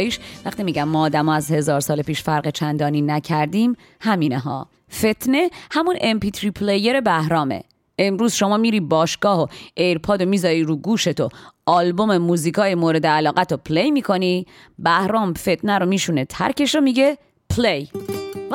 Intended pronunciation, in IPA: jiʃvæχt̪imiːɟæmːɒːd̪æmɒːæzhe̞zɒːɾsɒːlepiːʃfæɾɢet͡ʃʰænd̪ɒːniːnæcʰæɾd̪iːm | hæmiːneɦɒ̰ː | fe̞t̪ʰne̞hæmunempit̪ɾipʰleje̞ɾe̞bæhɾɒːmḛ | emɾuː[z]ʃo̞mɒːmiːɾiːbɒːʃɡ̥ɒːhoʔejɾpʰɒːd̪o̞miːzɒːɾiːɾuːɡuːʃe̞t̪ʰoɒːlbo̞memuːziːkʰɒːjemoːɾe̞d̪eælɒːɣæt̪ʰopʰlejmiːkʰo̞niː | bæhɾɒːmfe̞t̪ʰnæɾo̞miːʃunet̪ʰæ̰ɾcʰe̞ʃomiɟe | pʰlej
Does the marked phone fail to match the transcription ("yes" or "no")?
no